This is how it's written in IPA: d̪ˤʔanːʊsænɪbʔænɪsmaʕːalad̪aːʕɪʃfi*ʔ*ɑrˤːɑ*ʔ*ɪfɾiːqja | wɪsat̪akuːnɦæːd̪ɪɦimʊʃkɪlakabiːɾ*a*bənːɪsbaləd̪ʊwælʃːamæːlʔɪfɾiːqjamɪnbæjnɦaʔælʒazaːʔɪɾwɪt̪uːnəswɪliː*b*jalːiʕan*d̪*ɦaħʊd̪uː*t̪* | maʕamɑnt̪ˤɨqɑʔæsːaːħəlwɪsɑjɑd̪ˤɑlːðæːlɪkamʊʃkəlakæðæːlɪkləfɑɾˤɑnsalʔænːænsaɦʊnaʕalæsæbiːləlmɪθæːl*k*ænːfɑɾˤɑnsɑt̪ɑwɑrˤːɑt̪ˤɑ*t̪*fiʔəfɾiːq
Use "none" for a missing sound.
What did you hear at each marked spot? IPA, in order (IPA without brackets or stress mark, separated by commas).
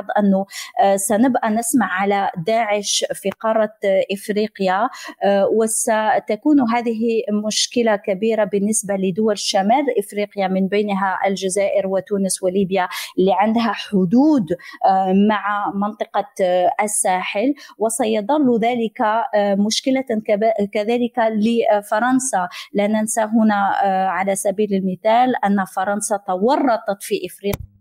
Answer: q, ʔ, a, b, d̪, d̪, ʔ, t̪